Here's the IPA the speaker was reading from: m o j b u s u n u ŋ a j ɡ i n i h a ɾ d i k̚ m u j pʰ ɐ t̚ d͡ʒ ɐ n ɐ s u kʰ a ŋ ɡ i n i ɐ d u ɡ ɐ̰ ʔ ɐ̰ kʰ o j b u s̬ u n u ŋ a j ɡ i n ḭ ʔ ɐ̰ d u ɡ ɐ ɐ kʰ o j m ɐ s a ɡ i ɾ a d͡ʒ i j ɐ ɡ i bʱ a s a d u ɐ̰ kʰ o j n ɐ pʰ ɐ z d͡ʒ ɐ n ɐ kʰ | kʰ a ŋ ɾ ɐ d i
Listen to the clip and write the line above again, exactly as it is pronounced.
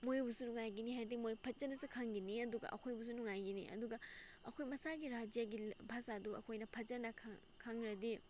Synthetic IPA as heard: m o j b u s u n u ŋ a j ɡ i n i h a ɾ d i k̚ m o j pʰ ɐ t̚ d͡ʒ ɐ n ɐ s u kʰ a ŋ ɡ i n i ɐ d u ɡ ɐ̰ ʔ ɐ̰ kʰ o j b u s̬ u n u ŋ a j ɡ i n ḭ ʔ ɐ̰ d u ɡ ɐ ɐ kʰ o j m ɐ s a ɡ i ɾ a d͡ʒ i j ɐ ɡ i bʱ a s a d u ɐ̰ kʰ o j n ɐ pʰ ɐ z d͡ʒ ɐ n ɐ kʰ | kʰ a ŋ ɾ ɐ d i